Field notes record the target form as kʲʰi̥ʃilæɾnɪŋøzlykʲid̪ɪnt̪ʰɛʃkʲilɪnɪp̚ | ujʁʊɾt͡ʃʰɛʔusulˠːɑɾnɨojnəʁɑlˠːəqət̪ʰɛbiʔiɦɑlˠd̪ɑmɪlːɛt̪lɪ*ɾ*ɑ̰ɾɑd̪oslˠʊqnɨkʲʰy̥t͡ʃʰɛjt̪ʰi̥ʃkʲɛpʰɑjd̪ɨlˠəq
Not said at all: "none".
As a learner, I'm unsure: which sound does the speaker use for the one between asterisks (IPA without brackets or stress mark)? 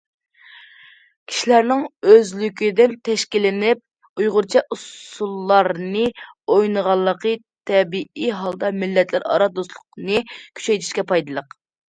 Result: ɾ